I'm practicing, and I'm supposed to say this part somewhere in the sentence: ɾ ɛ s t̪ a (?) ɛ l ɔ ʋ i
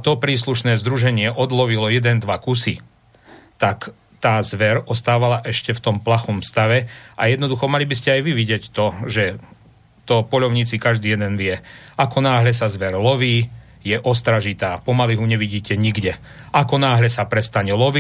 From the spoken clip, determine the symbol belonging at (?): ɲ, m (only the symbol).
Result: ɲ